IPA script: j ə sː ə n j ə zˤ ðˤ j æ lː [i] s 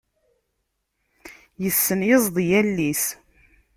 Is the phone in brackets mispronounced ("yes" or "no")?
no